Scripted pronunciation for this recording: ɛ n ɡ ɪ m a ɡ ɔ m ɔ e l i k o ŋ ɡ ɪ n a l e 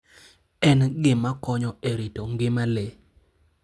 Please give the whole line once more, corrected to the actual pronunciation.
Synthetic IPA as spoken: ɛ n ɡ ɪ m a k ɔ ɲ ɔ e ɾ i t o ŋ ɡ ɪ m a l e